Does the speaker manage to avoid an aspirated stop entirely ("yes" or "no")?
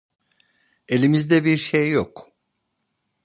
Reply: yes